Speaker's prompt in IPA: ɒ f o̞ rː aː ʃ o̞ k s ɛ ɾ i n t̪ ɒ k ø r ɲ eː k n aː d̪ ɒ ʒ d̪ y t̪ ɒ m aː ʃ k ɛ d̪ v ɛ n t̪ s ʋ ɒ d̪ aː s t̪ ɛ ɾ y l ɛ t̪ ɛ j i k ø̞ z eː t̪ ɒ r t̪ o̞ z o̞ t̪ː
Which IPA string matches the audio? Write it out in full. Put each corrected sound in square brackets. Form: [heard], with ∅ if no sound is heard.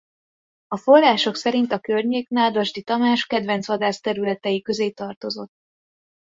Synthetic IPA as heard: ɒ f o̞ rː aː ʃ o̞ k s ɛ ɾ i n t̪ ɒ k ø r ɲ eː k n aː d̪ ɒ ʒ d̪ [i] t̪ ɒ m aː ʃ k ɛ d̪ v ɛ n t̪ s ʋ ɒ d̪ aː s t̪ ɛ ɾ y l ɛ t̪ ɛ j i k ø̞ z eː t̪ ɒ r t̪ o̞ z o̞ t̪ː